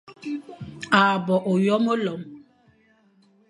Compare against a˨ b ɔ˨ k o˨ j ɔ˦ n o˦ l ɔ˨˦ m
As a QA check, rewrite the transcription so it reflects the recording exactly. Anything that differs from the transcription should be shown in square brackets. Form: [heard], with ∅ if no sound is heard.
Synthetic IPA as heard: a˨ b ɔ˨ [ʔ] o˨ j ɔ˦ [m] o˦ l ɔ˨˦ m